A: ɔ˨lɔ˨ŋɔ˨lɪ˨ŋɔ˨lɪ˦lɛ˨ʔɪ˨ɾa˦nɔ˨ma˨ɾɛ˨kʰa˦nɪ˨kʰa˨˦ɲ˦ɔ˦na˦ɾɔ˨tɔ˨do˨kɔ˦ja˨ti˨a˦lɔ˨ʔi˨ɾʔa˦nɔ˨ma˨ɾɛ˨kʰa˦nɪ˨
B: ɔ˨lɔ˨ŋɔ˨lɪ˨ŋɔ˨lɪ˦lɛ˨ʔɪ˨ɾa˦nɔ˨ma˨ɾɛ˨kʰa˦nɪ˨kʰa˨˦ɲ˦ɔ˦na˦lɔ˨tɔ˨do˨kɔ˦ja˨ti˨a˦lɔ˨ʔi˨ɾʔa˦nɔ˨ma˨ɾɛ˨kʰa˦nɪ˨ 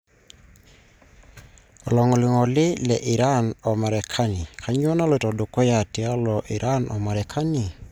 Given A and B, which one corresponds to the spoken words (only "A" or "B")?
B